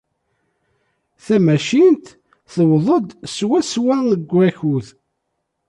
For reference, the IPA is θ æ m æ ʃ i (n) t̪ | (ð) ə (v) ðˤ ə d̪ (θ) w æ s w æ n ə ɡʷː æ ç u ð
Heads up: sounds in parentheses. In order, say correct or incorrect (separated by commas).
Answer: correct, incorrect, incorrect, incorrect